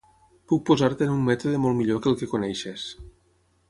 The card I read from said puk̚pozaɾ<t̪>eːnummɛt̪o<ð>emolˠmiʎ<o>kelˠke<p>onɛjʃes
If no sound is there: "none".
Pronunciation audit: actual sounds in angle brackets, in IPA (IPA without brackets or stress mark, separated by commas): t̪, ð, o, k